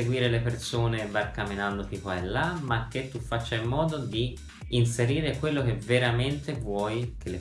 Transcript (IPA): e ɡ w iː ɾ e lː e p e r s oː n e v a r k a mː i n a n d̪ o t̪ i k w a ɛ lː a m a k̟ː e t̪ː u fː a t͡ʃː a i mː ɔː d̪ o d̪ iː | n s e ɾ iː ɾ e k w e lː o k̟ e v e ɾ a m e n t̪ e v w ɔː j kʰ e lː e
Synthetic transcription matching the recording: e ɡ w iː ɾ e l e p e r s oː n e v a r k a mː i n a n d̪ o t̪ i k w a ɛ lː a m a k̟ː e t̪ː u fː a t͡ʃː a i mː ɔː d̪ o d̪ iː | n s e ɾ iː ɾ e k w e lː o k̟ e v e ɾ a m e n t̪ e v w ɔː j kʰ e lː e